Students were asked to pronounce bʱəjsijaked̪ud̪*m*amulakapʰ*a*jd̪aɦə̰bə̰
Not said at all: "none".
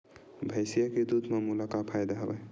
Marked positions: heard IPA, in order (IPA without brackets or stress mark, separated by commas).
m, a